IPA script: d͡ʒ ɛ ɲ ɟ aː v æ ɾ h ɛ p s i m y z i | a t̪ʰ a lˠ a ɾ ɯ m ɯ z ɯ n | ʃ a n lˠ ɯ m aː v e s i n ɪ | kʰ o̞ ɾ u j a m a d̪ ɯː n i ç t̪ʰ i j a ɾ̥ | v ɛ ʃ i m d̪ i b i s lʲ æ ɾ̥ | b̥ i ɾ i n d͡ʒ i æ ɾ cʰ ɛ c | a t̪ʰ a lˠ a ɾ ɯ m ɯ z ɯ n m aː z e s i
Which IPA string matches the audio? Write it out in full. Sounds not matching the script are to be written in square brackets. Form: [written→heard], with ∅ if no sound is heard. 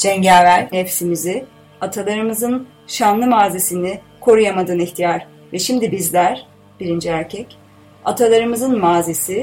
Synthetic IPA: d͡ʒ ɛ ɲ ɟ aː v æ ɾ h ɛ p s i m [y→i] z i | a t̪ʰ a lˠ a ɾ ɯ m ɯ z ɯ n | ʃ a n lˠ ɯ m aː [v→z] e s i n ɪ | kʰ o̞ ɾ u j a m a d̪ ɯː n i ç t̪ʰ i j a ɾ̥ | v ɛ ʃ i m d̪ i b i [s→z] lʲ æ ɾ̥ | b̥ i ɾ i n d͡ʒ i æ ɾ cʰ ɛ c | a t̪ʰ a lˠ a ɾ ɯ m ɯ z ɯ n m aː z e s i